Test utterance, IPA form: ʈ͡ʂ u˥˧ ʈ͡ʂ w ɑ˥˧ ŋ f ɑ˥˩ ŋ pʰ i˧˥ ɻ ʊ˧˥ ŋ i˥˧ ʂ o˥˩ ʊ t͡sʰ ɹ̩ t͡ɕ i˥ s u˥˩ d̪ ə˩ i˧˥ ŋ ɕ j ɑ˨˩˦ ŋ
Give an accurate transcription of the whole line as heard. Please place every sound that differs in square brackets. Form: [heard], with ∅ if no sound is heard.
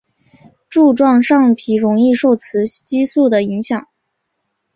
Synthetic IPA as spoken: ʈ͡ʂ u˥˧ ʈ͡ʂ w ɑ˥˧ ŋ [ʂ] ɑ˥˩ ŋ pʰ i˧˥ ɻ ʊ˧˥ ŋ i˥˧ ʂ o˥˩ ʊ t͡sʰ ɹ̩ t͡ɕ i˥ s u˥˩ d̪ ə˩ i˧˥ ŋ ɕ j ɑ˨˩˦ ŋ